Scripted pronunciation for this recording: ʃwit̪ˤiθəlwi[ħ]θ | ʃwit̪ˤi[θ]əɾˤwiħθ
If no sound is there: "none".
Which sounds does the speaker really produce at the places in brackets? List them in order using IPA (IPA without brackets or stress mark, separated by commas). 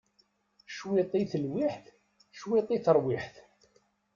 ħ, θ